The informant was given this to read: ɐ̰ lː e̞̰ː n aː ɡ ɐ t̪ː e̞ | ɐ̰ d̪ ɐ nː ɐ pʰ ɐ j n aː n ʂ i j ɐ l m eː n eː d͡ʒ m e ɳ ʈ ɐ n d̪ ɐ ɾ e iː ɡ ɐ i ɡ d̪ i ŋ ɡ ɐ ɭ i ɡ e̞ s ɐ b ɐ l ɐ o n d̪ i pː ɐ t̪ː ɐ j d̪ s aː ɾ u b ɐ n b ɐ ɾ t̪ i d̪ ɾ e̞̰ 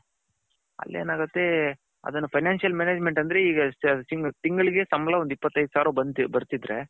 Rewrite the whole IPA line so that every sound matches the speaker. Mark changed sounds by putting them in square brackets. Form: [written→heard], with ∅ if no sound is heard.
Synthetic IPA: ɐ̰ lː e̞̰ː n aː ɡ ɐ t̪ː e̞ | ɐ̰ d̪ ɐ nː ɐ pʰ ɐ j n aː n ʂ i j ɐ l m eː n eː d͡ʒ m e ɳ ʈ ɐ n d̪ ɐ ɾ e iː ɡ ɐ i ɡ [d̪→t̪] i ŋ ɡ ɐ ɭ i ɡ e̞ s ɐ [b→m] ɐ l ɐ o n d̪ i pː ɐ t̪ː ɐ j d̪ s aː ɾ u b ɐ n b ɐ ɾ t̪ i d̪ ɾ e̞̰